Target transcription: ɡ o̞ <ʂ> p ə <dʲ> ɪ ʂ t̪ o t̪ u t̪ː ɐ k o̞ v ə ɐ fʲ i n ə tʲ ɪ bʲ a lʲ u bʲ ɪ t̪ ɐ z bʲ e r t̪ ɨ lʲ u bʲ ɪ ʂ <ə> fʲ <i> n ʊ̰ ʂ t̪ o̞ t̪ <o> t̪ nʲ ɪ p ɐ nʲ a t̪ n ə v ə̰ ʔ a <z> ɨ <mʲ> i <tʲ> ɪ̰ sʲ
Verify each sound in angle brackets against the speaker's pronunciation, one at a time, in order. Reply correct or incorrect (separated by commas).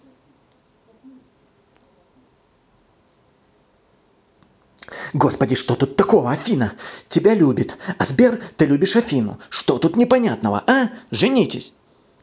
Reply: incorrect, correct, incorrect, correct, incorrect, incorrect, incorrect, correct